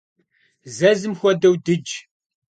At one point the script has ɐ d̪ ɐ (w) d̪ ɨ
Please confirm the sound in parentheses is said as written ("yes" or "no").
yes